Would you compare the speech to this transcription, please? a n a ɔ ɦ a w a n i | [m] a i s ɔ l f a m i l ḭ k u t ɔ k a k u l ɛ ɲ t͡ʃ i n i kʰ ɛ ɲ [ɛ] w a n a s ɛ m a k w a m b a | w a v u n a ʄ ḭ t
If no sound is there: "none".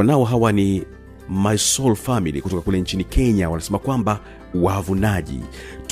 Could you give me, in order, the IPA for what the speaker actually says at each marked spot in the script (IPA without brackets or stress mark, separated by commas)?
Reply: m, a